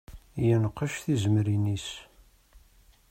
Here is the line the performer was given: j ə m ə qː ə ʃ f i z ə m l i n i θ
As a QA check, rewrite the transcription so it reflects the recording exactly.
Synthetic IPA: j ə n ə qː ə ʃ θ i z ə m ɾ i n i s